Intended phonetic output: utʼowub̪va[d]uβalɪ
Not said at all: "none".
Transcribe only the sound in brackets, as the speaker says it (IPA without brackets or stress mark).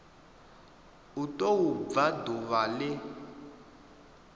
d